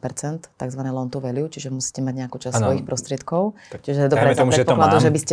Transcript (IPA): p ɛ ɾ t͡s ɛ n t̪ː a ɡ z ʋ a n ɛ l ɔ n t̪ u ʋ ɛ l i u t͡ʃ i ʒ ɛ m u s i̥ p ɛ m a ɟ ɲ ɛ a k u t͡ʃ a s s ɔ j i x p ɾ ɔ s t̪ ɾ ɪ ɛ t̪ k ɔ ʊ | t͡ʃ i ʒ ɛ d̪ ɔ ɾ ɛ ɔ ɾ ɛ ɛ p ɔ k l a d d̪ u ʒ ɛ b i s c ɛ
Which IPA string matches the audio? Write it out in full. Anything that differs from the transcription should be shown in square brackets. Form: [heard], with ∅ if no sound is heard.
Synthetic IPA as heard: p ɛ ɾ t͡s ɛ n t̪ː a ɡ z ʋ a n ɛ l ɔ n t̪ u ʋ ɛ l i u t͡ʃ i ʒ ɛ m u s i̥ [c] ɛ m a ɟ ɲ ɛ a k u t͡ʃ a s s ɔ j i x p ɾ ɔ s t̪ ɾ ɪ ɛ t̪ k ɔ ʊ | t͡ʃ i ʒ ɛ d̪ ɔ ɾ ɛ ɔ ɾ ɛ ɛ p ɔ k l a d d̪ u ʒ ɛ b i s c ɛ